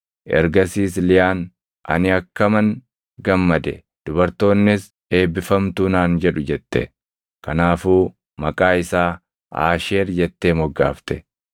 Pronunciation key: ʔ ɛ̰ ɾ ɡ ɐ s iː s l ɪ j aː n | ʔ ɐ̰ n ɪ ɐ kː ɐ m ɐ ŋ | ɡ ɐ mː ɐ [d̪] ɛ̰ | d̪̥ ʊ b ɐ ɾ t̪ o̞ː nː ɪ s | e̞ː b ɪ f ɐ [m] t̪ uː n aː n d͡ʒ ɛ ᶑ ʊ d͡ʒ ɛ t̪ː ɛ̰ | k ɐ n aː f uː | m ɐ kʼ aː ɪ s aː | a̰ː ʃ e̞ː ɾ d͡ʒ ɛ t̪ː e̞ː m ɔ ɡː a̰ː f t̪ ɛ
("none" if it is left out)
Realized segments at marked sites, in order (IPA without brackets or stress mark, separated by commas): d̪, m